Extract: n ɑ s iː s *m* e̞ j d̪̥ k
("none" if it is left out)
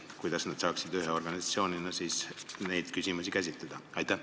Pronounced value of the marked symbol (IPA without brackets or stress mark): n